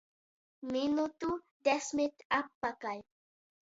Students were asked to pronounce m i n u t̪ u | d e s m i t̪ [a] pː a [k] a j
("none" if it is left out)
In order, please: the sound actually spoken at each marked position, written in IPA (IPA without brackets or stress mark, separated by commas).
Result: a, k